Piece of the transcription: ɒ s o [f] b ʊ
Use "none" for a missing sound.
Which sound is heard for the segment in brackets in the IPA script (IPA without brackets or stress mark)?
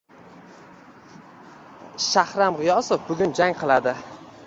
f